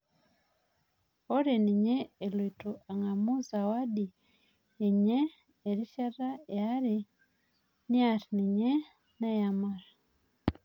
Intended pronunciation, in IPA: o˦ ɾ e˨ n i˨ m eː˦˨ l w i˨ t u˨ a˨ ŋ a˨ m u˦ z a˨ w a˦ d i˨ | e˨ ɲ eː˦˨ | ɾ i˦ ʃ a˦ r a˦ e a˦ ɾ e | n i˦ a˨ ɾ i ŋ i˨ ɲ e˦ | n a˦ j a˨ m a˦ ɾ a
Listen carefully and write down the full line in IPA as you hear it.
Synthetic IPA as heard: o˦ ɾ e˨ n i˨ ɲ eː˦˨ l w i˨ t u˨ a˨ ŋ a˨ m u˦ z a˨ w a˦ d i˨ | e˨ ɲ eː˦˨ | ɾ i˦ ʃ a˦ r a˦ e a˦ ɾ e | n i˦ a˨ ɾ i n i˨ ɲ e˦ | n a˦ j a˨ m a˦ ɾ a